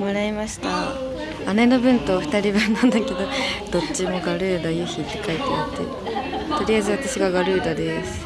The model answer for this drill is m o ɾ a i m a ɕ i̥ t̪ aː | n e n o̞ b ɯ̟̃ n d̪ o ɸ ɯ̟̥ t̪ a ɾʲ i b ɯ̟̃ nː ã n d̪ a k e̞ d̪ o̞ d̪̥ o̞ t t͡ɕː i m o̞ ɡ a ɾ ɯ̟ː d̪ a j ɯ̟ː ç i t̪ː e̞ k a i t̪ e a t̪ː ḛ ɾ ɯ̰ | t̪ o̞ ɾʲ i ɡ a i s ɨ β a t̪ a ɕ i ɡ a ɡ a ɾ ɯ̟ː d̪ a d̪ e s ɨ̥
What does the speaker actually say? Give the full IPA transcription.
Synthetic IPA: m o ɾ a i m a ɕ i̥ t̪ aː | n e n o̞ b ɯ̟̃ n t̪ o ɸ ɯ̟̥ t̪ a ɾʲ i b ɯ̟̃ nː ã n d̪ a k e̞ d̪ o̞ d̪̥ o̞ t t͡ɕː i m o̞ ɡ a ɾ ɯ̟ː d̪ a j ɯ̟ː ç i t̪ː e̞ k a i t̪ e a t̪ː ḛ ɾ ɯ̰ | t̪ o̞ ɾʲ i a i z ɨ β a t̪ a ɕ i ɡ a ɡ a ɾ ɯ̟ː d̪ a d̪ e s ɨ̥